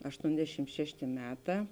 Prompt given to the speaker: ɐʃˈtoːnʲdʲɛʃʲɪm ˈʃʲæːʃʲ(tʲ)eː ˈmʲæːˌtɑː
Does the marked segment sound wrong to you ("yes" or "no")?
no